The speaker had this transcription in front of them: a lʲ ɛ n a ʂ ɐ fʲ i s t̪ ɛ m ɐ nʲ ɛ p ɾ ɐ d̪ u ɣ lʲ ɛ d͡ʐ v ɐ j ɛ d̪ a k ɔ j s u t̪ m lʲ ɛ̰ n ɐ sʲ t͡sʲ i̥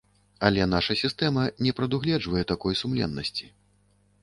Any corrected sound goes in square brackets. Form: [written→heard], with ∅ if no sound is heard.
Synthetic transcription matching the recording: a lʲ ɛ n a ʂ ɐ [fʲ→sʲ] i s t̪ ɛ m ɐ nʲ ɛ p ɾ ɐ d̪ u ɣ lʲ ɛ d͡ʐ v ɐ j ɛ [d̪→t̪] a k ɔ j s u [t̪→∅] m lʲ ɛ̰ [n→nː] ɐ sʲ t͡sʲ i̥